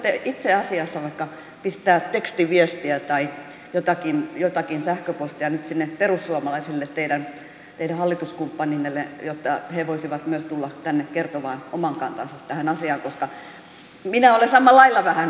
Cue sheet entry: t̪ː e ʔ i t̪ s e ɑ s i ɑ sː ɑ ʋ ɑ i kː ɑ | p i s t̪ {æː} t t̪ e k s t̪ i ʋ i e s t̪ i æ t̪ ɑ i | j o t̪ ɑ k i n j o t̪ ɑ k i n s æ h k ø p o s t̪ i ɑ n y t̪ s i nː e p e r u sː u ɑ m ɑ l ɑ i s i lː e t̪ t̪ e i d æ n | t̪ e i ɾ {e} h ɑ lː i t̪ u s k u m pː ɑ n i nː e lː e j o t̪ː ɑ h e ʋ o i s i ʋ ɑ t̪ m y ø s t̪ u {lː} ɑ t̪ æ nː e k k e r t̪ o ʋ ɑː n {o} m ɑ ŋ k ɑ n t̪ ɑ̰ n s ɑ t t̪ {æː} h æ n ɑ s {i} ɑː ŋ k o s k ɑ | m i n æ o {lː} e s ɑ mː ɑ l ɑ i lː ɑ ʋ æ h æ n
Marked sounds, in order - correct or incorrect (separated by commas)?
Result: correct, incorrect, correct, correct, incorrect, correct, incorrect